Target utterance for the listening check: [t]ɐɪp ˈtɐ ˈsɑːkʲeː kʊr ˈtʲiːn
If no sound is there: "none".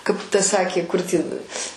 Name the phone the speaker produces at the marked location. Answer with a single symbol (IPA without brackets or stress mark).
k